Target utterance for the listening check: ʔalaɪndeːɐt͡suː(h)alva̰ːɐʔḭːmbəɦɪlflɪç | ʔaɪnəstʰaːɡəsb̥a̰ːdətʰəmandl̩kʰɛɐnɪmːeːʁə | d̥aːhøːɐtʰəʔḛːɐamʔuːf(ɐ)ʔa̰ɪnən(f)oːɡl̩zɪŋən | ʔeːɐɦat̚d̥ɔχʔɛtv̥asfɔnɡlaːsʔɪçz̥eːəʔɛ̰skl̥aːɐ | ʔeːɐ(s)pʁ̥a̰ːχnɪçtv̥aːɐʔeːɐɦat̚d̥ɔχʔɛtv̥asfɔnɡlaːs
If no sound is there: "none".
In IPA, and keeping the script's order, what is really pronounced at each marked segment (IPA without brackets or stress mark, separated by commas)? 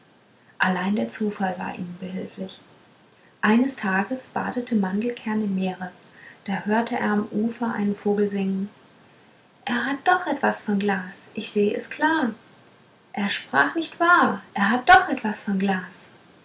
f, ɐ, f, ʃ